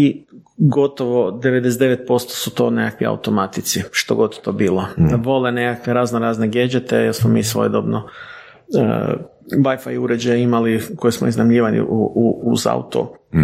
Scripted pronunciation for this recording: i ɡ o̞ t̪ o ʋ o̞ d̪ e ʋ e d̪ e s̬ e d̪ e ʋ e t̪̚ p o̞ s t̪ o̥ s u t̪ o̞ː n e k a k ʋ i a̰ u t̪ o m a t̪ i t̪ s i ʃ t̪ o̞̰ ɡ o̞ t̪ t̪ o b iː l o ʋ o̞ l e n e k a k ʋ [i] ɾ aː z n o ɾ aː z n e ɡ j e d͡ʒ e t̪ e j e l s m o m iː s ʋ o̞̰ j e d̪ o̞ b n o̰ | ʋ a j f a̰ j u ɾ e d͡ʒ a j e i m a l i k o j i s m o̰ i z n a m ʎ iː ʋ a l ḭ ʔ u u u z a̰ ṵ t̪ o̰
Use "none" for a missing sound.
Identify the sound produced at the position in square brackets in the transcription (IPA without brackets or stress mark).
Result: e